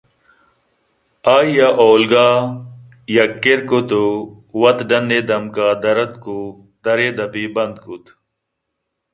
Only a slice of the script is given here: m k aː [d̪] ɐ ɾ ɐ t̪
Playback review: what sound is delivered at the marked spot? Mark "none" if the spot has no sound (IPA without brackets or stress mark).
d̪